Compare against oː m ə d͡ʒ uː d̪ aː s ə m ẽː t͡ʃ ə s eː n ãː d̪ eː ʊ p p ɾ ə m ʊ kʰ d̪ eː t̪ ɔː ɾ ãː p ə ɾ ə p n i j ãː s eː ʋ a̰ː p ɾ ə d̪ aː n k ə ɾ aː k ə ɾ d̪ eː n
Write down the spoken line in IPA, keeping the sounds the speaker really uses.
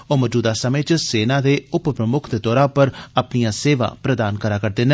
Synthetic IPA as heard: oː m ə d͡ʒ uː d̪ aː s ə m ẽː t͡ʃ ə s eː n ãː d̪ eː ʊ p p ɾ ə m ʊ kʰ d̪ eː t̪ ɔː ɾ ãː p ə ɾ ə p n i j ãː s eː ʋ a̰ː p ɾ ə d̪ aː n k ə ɾ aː k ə ɾ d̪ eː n

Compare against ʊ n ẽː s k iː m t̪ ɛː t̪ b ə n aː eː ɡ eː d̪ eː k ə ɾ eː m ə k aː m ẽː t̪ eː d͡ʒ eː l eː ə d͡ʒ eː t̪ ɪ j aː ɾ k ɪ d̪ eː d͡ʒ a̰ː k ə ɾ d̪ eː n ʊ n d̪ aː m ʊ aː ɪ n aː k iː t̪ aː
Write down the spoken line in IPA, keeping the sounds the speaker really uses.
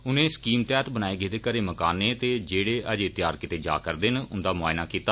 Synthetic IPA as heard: ʊ n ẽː s k iː m t̪ ɛː t̪ b ə n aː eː ɡ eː d̪ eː k ə ɾ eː m ə k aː n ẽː t̪ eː d͡ʒ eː ɽ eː ə d͡ʒ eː t̪ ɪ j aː ɾ k ɪ t̪ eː d͡ʒ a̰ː k ə ɾ d̪ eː n ʊ n d̪ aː m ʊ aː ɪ n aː k iː t̪ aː

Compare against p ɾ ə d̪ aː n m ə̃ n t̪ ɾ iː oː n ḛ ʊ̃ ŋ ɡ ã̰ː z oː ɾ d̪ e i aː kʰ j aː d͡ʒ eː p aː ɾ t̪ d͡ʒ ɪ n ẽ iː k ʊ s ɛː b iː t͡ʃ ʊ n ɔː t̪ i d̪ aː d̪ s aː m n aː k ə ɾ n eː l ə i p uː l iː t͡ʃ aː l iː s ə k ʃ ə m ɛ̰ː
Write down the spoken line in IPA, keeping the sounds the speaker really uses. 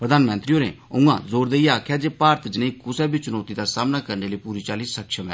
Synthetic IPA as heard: p ɾ ə d̪ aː n m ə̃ n t̪ ɾ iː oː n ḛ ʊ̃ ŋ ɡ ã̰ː z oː ɾ d̪ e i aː kʰ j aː d͡ʒ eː p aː ɾ t̪ d͡ʒ ɪ n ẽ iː k ʊ s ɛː b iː t͡ʃ ʊ n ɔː t̪ i d̪ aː s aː m n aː k ə ɾ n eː l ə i p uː ɾ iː t͡ʃ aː l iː s ə k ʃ ə m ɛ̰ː

